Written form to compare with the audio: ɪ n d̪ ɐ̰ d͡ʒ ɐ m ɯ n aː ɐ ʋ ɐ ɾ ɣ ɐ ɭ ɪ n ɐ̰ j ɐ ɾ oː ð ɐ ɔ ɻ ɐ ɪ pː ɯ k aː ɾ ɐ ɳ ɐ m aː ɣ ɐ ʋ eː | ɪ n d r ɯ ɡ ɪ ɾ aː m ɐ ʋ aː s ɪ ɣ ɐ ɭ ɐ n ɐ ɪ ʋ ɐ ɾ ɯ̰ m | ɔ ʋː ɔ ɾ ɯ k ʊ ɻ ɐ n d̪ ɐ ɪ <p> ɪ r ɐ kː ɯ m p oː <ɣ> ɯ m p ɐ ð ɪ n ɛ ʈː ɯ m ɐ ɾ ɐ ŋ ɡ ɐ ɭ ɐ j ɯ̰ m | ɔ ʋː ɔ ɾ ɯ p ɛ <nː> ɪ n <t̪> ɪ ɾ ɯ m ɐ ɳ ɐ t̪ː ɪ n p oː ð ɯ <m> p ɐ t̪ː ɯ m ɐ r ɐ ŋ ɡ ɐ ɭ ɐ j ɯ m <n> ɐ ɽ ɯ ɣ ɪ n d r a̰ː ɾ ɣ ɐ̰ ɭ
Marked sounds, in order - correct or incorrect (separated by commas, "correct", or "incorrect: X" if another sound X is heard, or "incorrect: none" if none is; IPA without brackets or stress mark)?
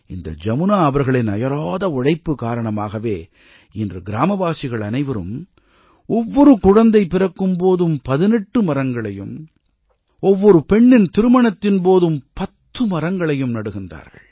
correct, incorrect: ð, incorrect: ɳː, correct, correct, correct